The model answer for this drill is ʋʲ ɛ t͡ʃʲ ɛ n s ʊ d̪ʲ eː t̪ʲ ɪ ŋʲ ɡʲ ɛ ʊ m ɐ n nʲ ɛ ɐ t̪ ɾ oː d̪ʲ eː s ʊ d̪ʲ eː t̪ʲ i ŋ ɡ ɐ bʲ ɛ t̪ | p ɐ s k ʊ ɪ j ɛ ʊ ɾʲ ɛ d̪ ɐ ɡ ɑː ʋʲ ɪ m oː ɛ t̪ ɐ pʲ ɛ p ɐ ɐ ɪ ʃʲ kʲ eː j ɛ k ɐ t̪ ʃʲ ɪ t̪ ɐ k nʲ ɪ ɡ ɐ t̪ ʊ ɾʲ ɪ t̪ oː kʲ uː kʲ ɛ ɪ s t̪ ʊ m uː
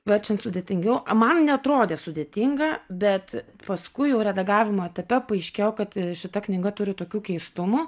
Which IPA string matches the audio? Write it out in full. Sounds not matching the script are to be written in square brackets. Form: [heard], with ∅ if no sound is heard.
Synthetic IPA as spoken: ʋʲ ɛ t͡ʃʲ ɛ n s ʊ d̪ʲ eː t̪ʲ ɪ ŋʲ ɡʲ ɛ ʊ m ɐ n nʲ ɛ ɐ t̪ ɾ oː d̪ʲ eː s ʊ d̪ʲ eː t̪ʲ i ŋ ɡ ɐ bʲ ɛ t̪ | p ɐ s k ʊ ɪ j ɛ ʊ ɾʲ ɛ d̪ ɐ ɡ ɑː ʋʲ ɪ m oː ɛ t̪ ɐ pʲ ɛ p ɐ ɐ ɪ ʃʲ kʲ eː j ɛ k ɐ t̪ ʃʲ ɪ t̪ ɐ k nʲ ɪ ɡ ɐ t̪ ʊ ɾʲ ɪ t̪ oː kʲ uː kʲ ɛ ɪ s t̪ ʊ m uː